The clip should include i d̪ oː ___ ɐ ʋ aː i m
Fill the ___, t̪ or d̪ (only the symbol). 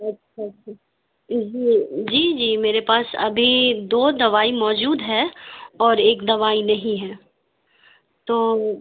d̪